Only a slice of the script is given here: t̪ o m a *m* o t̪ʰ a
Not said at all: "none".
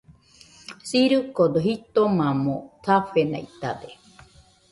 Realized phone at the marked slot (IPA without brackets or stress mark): m